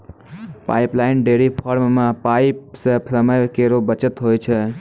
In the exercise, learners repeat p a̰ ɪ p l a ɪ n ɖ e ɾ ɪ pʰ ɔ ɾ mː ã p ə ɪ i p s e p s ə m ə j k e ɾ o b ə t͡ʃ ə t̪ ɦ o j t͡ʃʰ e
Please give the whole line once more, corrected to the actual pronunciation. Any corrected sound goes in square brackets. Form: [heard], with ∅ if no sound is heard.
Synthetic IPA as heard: p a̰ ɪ p l a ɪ n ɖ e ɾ [i] pʰ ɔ ɾ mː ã p [a] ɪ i p s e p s ə m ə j k e ɾ o b ə t͡ʃ ə t̪ ɦ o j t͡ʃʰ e